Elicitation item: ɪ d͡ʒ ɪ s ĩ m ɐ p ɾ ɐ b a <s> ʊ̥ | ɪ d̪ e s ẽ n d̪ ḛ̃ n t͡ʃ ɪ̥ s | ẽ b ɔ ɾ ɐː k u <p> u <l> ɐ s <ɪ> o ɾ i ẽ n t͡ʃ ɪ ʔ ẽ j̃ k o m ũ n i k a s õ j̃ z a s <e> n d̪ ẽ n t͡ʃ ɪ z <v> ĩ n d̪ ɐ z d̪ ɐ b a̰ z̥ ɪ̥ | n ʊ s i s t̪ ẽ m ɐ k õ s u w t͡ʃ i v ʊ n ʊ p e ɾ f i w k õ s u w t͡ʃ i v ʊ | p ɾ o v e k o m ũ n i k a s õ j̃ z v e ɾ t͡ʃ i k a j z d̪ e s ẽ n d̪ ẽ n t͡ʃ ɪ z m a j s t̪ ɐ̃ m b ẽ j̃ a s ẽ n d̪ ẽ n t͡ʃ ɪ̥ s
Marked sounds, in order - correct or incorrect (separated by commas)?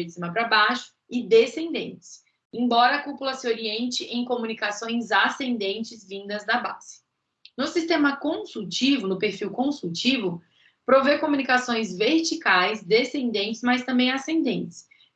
incorrect, correct, correct, correct, incorrect, correct